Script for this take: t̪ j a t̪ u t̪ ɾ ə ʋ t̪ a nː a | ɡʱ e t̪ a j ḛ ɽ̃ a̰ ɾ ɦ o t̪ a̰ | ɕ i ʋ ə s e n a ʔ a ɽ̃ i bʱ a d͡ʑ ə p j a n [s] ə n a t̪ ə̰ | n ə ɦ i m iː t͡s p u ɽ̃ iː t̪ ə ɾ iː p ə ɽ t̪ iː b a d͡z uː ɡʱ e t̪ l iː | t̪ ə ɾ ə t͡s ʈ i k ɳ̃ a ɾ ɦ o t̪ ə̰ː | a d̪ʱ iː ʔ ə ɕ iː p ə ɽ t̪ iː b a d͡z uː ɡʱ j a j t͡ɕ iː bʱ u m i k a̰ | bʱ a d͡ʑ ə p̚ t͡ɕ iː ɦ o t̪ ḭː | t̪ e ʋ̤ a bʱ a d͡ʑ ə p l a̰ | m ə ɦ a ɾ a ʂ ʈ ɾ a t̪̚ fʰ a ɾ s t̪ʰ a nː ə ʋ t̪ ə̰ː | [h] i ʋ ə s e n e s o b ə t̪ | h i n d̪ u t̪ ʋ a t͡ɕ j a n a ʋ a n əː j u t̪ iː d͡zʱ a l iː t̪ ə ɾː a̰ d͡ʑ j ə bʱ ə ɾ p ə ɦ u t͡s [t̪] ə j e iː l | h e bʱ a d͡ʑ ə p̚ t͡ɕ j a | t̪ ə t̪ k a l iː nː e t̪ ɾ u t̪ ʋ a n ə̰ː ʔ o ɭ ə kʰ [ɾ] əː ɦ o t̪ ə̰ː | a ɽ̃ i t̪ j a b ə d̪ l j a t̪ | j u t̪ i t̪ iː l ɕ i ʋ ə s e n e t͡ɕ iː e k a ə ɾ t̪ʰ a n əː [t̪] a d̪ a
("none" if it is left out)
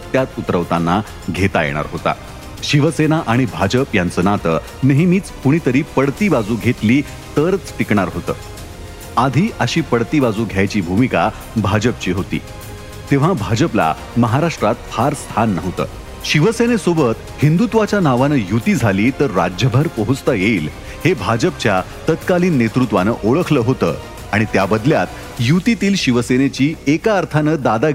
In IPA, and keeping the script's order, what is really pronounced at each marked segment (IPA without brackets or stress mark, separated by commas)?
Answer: t͡s, ɕ, t̪, l, d̪